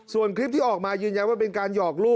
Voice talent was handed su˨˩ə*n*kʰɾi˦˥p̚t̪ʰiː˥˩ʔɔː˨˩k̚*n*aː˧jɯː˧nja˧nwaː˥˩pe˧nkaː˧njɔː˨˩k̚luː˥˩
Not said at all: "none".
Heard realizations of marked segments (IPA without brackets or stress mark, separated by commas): n, m